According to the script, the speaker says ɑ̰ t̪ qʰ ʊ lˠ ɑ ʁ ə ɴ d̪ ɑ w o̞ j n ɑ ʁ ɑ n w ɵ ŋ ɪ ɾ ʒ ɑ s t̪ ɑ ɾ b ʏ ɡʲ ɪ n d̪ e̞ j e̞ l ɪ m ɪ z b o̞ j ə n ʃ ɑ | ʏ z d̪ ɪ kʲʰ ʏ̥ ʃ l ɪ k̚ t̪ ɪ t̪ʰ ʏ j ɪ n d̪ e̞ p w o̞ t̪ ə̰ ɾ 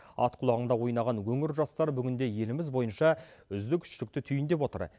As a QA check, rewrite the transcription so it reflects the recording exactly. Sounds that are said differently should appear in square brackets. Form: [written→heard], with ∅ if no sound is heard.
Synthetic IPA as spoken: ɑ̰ t̪ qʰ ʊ lˠ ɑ ʁ ə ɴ d̪ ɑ w o̞ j n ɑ ʁ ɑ n w ɵ ŋ ɪ ɾ ʒ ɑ s t̪ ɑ ɾ b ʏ ɡʲ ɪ n d̪ e̞ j e̞ l ɪ m ɪ z b o̞ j ə n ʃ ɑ | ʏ z d̪ ɪ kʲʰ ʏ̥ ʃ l ɪ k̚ t̪ ɪ t̪ʰ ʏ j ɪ n d̪ e̞ p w o̞ t̪ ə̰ ɾ